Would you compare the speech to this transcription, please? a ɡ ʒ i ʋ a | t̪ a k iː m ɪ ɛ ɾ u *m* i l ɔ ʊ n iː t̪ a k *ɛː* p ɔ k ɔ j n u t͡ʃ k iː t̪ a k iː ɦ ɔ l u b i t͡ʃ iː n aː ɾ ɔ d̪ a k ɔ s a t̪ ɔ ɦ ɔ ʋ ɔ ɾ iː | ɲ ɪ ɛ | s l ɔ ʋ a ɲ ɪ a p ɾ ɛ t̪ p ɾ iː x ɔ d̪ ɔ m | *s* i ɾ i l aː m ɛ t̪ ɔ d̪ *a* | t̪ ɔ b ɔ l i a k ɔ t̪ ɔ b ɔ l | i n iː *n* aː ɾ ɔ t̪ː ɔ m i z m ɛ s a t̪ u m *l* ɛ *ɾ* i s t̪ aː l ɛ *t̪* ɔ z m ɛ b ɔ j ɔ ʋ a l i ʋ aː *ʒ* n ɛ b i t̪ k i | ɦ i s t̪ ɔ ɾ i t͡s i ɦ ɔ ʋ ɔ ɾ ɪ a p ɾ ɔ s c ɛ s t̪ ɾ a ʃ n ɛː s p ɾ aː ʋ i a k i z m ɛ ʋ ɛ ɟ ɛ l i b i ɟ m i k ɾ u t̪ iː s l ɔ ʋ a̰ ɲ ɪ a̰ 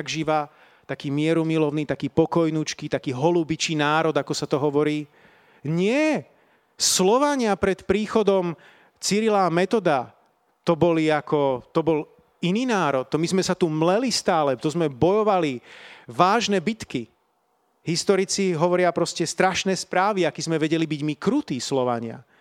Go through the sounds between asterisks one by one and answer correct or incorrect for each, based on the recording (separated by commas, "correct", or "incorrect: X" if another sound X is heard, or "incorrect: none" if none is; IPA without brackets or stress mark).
correct, incorrect: iː, incorrect: t͡s, correct, correct, correct, incorrect: l, correct, correct